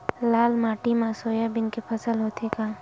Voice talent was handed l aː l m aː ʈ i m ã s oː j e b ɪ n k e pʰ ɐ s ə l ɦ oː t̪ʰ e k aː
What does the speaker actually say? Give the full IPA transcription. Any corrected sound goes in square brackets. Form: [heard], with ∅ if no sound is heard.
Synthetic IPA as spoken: l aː l m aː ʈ i m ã s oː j [a] b ɪ n k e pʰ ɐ s ə l ɦ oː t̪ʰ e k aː